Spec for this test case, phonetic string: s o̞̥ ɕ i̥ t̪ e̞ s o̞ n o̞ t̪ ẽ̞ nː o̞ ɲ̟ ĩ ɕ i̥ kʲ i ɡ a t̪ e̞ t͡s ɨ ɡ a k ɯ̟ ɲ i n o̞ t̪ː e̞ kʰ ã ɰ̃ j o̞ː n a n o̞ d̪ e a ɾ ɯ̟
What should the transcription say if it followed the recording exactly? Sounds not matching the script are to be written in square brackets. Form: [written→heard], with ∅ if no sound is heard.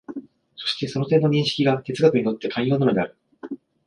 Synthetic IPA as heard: s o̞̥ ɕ i̥ t̪ e̞ s o̞ n o̞ t̪ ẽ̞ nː o̞ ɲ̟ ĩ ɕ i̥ kʲ i ɡ a t̪ e̞ t͡s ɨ ɡ a k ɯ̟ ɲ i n o̞ t̪ː e̞ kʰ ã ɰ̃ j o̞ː n a n o̞ d̪ e a ɾ ɯ̟